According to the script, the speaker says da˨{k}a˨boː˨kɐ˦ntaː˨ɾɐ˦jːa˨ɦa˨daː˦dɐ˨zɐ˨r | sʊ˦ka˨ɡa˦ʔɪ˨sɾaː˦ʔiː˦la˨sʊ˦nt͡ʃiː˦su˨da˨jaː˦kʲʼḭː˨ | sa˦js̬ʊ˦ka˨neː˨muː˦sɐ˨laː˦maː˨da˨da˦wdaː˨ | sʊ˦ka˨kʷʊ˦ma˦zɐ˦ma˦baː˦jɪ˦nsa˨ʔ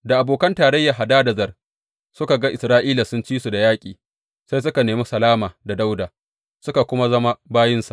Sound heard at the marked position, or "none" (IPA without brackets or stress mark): ʔ